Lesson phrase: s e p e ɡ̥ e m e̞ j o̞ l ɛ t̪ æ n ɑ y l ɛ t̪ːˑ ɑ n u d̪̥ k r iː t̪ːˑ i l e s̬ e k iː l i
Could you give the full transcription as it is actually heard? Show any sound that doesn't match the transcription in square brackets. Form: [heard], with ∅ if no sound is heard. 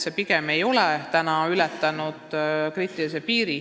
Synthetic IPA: s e p [i] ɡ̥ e m e̞ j o̞ l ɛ t̪ æ n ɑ y l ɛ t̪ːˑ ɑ n u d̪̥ k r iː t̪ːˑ i l [i] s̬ e [p] iː [ɾ] i

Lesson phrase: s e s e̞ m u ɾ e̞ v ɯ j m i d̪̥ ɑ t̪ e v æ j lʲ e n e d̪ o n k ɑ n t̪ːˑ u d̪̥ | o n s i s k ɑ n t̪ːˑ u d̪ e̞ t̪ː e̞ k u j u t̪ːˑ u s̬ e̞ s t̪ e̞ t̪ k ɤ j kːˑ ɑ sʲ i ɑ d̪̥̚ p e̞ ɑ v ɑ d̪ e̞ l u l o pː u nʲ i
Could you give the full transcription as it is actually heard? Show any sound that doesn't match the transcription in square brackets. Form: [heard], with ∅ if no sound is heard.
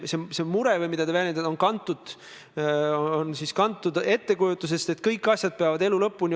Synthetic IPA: s e s e̞ m u ɾ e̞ v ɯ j m i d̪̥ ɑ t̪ e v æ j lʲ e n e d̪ o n k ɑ n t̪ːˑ u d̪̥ | o n s i s k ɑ n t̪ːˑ u d̪ e̞ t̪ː e̞ k u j u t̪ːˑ u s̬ e̞ s t̪ e̞ t̪ k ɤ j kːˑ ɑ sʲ [j] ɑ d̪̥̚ p e̞ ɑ v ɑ d̪ e̞ l u l [ɤ] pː u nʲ i

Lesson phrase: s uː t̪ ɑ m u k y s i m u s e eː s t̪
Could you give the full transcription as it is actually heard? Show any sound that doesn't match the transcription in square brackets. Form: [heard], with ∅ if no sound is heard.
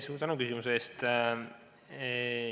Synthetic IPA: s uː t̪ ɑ [n] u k y s i m u s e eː s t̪

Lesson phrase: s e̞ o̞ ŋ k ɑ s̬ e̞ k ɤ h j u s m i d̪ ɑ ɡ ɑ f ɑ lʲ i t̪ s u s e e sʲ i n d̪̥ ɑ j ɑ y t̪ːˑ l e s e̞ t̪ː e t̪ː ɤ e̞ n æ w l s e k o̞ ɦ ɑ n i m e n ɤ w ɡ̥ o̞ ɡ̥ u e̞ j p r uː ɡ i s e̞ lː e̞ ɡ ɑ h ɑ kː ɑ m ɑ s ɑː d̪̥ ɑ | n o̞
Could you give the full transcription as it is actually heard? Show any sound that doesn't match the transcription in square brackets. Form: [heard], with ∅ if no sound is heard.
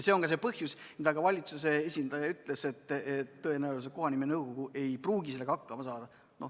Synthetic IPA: s e̞ o̞ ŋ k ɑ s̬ e̞ [p] ɤ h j u s m i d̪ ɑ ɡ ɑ [v] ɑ lʲ i t̪ s u s e e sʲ i n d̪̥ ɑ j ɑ y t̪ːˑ l e s e̞ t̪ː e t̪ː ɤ e̞ n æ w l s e k o̞ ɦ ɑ n i m e n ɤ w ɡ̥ o̞ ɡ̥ u e̞ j p r uː ɡ i s e̞ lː e̞ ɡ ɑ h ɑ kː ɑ m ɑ s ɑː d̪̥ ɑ | n o̞

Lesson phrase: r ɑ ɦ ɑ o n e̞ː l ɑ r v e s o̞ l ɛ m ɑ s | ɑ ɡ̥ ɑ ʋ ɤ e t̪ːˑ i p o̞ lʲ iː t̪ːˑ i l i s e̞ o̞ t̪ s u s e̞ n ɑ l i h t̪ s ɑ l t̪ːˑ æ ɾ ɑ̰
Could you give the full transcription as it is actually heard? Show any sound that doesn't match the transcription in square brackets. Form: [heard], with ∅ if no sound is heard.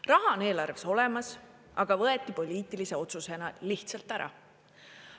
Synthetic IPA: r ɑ ɦ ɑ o n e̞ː l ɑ r v e s o̞ l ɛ m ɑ s | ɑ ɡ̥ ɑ [v] ɤ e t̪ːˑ i p o̞ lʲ iː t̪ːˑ i l i s e̞ o̞ t̪ s u s e̞ n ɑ l i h t̪ s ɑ l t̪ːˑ æ ɾ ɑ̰

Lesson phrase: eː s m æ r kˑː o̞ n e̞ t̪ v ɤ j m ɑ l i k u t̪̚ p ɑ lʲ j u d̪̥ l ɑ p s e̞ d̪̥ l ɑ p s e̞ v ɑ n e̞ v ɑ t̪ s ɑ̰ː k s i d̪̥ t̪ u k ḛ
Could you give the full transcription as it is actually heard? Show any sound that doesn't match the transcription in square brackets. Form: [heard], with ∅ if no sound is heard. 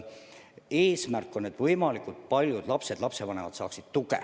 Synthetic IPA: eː s m æ r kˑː o̞ n e̞ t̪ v ɤ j m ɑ l i k u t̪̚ p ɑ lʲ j u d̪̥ l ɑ p s e̞ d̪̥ l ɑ p s e̞ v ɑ n e̞ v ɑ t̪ s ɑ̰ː k s i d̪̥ t̪ u k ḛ

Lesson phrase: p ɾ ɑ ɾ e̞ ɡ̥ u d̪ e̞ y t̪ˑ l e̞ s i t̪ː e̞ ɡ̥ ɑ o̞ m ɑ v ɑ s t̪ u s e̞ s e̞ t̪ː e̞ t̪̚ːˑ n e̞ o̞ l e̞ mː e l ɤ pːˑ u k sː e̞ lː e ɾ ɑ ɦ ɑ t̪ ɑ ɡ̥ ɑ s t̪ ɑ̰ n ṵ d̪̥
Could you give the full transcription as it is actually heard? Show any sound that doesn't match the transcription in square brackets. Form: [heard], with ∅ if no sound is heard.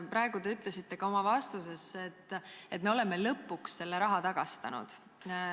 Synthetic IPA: p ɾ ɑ [∅] e̞ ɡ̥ u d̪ e̞ y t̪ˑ l e̞ s i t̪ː e̞ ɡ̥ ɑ o̞ m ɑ v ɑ s t̪ u s e̞ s e̞ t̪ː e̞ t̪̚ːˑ [m] e̞ o̞ l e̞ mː e l ɤ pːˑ u k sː e̞ lː e ɾ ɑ ɦ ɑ t̪ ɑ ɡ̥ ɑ s t̪ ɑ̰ n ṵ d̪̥

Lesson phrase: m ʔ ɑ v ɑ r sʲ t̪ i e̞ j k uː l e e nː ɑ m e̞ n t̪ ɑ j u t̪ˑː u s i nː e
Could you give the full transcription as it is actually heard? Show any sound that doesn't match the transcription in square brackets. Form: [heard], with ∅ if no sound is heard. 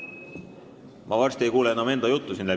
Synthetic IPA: m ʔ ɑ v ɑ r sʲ t̪ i e̞ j k uː l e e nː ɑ m e̞ n [d̪] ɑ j u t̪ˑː u s i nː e

